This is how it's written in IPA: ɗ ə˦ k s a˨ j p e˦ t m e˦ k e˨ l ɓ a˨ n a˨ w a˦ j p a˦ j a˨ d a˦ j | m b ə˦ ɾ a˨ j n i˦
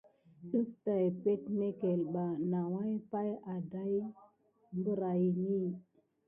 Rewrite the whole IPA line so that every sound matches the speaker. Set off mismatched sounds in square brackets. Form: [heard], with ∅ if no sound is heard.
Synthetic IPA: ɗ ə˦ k [t] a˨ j p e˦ t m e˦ k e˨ l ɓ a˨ n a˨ w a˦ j p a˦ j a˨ d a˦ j | m b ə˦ ɾ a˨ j n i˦